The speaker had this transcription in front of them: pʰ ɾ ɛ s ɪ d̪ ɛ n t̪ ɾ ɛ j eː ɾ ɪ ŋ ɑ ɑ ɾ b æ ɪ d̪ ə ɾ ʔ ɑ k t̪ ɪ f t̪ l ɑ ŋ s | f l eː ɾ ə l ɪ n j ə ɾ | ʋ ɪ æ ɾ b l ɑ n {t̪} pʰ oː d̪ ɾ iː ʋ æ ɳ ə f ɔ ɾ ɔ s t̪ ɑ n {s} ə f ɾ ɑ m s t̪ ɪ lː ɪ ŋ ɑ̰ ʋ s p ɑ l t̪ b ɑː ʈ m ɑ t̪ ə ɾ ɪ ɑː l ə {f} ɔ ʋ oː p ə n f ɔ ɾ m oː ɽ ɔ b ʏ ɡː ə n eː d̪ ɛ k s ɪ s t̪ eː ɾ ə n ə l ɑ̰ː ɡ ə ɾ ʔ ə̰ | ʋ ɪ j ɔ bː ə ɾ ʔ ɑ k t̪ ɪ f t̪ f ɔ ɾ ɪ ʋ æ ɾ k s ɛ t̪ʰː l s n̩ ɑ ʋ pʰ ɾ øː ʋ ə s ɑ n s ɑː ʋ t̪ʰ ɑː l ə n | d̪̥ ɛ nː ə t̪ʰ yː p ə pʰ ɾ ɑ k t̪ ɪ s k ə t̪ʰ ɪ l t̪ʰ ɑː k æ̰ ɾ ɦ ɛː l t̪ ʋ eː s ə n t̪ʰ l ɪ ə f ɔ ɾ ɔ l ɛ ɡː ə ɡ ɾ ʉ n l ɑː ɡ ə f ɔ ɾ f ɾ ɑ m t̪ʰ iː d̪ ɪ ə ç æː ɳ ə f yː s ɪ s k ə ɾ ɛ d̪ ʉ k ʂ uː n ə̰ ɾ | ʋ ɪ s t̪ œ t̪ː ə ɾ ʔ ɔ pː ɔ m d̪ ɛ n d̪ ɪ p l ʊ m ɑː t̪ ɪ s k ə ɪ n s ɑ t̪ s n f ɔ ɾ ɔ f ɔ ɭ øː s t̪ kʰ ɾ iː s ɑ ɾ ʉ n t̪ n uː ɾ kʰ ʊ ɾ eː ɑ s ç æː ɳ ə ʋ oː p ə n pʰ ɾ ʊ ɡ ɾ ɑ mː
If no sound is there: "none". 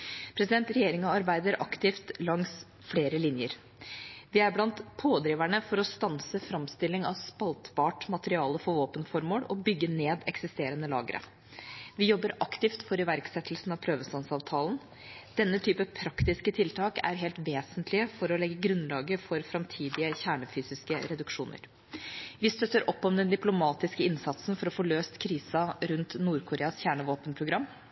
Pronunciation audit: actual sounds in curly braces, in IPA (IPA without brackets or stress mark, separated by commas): t̪, s, f